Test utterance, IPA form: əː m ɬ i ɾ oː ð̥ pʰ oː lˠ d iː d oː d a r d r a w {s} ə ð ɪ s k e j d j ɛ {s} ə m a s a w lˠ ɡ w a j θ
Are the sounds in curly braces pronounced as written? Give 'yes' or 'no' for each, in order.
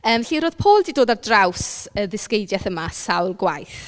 yes, no

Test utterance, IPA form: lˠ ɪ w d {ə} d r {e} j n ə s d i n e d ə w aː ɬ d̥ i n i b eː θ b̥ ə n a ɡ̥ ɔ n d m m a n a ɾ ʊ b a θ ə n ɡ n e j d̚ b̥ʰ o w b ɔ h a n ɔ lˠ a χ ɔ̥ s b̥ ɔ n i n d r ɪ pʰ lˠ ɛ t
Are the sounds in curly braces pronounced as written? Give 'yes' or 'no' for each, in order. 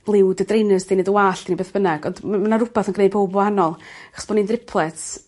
yes, yes

